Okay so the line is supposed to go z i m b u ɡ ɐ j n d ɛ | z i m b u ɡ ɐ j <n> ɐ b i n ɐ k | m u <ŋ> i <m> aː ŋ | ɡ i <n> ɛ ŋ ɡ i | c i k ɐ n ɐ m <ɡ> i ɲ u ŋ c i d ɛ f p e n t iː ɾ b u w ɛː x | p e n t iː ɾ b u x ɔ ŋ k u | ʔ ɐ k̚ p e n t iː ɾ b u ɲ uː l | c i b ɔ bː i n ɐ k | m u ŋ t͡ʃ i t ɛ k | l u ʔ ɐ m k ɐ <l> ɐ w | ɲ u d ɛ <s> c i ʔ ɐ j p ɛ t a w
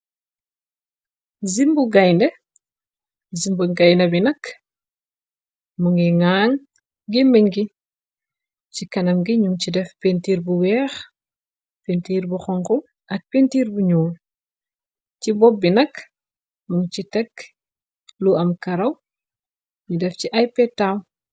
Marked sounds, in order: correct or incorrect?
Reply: correct, correct, incorrect, incorrect, correct, incorrect, incorrect

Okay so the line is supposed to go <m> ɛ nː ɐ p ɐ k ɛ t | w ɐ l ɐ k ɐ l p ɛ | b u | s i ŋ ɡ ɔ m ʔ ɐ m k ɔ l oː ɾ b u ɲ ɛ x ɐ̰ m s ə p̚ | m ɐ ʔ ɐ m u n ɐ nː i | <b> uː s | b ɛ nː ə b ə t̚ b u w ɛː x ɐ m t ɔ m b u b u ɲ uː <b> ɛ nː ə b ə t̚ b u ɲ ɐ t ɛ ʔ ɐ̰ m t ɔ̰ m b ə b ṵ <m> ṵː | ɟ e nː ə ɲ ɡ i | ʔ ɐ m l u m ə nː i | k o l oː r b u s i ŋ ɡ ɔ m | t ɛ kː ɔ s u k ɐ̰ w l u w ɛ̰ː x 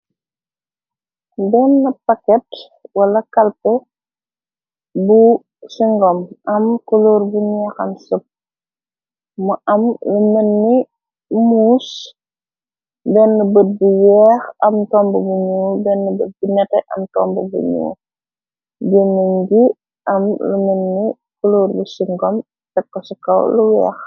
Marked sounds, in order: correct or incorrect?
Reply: incorrect, incorrect, correct, incorrect

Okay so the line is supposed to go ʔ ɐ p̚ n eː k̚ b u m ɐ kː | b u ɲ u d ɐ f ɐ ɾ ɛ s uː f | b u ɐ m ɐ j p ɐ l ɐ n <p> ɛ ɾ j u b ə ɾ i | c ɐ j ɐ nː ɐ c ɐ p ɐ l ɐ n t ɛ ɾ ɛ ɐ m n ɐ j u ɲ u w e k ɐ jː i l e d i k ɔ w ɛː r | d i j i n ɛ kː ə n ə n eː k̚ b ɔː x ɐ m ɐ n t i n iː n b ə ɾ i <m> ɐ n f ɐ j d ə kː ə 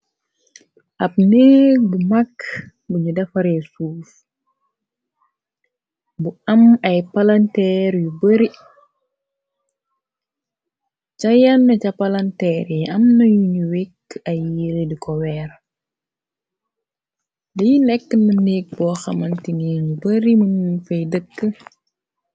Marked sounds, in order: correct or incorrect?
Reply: incorrect, correct

